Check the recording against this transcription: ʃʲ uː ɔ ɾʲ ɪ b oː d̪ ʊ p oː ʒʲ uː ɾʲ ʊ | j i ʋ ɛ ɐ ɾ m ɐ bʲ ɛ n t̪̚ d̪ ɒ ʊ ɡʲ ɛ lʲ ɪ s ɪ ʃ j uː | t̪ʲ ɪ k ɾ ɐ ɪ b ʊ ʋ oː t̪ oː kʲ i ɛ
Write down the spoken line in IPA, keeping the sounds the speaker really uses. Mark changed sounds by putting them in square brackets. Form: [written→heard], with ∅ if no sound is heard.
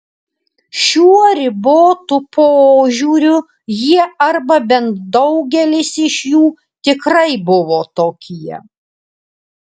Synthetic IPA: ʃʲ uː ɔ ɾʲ ɪ b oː [d̪→t̪] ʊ p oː ʒʲ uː ɾʲ ʊ | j i [ʋ→∅] ɛ ɐ ɾ [m→b] ɐ bʲ ɛ n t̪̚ d̪ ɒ ʊ ɡʲ ɛ lʲ ɪ s ɪ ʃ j uː | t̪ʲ ɪ k ɾ ɐ ɪ b ʊ ʋ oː t̪ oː kʲ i ɛ